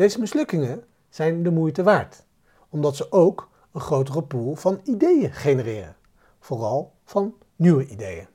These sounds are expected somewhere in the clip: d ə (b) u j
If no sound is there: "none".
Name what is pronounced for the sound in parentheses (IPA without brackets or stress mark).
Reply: m